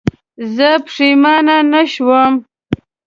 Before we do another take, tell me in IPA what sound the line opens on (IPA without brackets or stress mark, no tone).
z